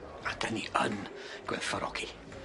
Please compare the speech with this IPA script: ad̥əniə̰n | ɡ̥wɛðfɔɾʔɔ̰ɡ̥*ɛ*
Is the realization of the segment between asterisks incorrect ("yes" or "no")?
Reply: yes